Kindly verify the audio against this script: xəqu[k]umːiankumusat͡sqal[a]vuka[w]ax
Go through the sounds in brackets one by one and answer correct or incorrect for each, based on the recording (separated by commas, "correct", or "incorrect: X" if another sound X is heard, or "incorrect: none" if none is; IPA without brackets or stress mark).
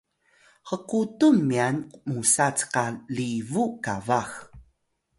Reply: incorrect: t, incorrect: i, incorrect: v